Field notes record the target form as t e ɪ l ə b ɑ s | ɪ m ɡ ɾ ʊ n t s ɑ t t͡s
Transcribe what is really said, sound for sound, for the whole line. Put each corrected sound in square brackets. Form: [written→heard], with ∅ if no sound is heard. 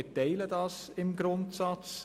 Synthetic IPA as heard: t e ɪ l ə [b→d] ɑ s | ɪ m ɡ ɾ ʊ n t s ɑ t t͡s